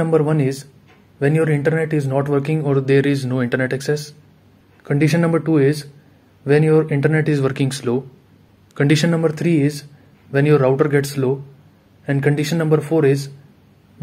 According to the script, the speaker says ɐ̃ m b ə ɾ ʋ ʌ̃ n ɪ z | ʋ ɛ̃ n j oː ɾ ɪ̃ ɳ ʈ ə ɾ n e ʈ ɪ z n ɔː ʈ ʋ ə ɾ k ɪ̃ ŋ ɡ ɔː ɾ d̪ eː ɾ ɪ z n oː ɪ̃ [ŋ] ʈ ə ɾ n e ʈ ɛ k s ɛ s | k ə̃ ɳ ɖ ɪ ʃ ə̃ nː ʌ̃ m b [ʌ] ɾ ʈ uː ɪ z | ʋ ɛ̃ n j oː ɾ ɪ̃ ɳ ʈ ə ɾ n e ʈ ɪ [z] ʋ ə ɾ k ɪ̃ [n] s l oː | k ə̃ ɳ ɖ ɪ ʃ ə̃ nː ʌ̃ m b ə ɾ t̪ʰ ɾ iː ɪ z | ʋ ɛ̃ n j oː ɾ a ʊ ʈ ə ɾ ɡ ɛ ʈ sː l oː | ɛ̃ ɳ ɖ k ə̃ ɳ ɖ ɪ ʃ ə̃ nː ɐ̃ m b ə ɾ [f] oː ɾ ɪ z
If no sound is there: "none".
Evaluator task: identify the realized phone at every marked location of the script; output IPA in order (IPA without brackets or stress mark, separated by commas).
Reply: ɳ, ə, z, ŋ, f